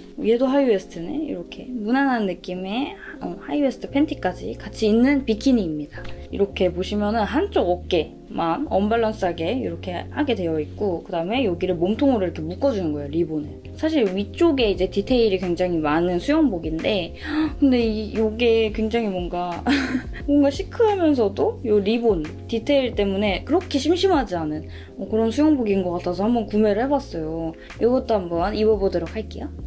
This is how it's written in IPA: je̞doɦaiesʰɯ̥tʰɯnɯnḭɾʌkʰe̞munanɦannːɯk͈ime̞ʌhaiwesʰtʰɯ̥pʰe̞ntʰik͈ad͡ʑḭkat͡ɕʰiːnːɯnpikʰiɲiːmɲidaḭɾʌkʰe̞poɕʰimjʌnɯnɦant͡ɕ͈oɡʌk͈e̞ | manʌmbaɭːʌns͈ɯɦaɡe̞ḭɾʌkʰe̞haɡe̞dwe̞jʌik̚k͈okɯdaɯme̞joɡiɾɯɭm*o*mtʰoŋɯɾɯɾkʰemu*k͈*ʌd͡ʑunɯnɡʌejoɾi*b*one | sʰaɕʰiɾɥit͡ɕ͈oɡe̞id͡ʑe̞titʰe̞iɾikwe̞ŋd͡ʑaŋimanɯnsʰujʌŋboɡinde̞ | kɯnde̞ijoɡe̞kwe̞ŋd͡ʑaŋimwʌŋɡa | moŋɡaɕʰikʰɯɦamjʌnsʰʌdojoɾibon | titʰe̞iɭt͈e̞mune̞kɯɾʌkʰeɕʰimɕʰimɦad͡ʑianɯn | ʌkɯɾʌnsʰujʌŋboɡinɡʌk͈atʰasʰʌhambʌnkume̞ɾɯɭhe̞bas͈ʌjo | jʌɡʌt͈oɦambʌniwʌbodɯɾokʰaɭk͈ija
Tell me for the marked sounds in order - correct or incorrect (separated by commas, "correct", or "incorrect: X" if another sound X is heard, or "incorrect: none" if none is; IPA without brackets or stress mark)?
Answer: correct, correct, correct